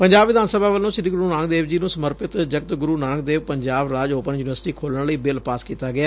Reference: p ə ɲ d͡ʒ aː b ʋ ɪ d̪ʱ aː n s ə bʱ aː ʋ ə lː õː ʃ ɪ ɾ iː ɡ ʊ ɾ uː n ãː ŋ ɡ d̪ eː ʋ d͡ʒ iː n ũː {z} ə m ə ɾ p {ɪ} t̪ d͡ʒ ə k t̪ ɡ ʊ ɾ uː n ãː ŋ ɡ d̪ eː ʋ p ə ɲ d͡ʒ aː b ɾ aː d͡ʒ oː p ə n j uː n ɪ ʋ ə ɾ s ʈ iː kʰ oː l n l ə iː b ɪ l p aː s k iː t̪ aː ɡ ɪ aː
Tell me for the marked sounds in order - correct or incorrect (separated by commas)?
incorrect, correct